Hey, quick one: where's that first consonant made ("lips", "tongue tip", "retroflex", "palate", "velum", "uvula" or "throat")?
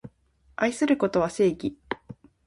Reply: tongue tip